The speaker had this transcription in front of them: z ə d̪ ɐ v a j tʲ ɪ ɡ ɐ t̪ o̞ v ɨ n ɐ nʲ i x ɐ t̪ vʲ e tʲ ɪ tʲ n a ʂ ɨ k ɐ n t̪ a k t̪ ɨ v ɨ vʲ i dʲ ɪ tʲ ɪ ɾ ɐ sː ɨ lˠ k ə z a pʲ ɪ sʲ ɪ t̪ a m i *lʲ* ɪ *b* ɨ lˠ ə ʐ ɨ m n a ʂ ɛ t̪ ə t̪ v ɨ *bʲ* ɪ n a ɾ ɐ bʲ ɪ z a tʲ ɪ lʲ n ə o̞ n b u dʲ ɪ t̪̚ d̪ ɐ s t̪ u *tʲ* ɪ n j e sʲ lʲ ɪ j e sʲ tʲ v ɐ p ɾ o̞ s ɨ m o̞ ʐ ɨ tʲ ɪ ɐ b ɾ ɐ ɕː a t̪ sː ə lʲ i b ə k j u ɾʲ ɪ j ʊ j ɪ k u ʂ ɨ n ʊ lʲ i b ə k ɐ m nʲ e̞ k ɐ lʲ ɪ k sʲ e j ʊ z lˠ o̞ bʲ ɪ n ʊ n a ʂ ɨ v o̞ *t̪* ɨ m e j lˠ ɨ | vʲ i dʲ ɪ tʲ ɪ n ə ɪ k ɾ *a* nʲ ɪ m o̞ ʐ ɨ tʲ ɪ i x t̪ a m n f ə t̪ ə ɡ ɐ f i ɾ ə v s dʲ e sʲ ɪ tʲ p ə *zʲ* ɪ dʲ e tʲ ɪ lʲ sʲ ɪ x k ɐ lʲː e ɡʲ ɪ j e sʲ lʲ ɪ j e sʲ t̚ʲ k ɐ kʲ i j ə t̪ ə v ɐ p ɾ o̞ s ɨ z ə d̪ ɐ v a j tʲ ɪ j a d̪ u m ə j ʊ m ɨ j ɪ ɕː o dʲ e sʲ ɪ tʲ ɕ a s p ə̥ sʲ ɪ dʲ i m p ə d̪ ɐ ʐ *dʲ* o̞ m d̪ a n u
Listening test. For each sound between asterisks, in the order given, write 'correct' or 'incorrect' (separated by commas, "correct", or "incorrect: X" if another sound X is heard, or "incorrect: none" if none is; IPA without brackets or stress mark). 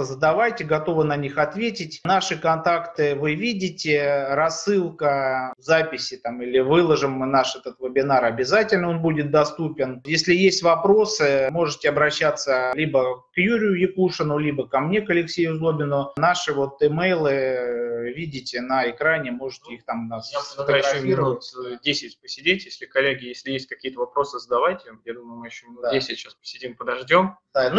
correct, incorrect: v, correct, incorrect: pʲ, correct, correct, incorrect: sʲ, correct